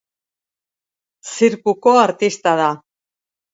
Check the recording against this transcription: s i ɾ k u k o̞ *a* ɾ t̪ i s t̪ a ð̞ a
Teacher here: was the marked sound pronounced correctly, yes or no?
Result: yes